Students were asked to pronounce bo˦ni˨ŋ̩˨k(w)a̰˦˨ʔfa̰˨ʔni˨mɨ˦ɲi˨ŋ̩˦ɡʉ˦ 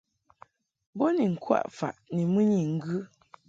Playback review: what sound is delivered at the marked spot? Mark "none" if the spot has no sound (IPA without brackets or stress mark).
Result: w